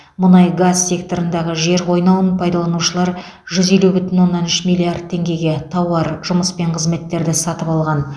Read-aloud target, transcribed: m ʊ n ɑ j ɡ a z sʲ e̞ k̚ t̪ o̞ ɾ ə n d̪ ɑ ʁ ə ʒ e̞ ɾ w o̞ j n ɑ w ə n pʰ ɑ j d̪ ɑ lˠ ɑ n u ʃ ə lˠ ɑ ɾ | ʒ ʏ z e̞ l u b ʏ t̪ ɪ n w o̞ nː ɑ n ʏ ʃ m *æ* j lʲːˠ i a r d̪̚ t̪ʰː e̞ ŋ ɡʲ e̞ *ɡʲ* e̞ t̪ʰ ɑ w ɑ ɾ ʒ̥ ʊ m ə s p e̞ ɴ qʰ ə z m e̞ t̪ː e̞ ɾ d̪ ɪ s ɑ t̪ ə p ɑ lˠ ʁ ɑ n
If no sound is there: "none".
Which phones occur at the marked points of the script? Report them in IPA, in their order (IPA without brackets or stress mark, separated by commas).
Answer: i, ɡʲ